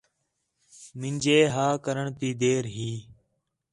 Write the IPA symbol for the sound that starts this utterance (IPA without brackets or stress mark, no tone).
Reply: m